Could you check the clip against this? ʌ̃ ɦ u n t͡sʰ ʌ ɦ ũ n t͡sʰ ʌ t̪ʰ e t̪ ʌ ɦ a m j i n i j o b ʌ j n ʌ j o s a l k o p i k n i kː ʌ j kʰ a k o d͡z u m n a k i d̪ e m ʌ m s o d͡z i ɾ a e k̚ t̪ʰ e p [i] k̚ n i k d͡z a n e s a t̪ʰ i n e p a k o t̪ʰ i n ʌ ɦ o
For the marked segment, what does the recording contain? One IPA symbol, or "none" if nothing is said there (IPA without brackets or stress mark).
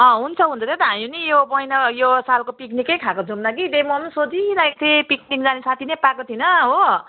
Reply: i